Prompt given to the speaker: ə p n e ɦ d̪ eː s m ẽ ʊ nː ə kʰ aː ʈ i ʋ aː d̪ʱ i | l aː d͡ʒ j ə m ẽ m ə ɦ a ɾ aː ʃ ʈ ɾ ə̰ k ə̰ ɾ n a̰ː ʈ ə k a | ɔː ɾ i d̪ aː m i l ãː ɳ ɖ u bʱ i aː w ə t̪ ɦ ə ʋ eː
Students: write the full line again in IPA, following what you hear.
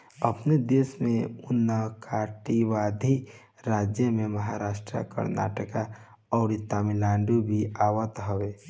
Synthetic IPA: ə p n e d̪ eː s m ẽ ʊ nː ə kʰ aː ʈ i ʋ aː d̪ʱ i | ɾ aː d͡ʒ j ə m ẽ m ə ɦ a ɾ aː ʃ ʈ ɾ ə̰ k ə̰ ɾ n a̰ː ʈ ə k a | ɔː ɾ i t̪ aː m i l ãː ɳ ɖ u bʱ i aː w ə t̪ ɦ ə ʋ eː